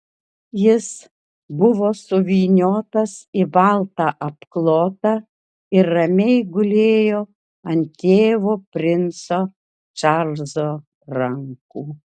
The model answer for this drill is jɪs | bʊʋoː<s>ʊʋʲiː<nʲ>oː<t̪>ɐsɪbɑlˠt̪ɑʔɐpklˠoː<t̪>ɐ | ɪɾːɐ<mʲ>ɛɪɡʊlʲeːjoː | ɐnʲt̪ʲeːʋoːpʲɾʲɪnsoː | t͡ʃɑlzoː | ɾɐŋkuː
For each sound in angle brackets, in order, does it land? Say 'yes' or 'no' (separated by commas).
yes, yes, yes, yes, yes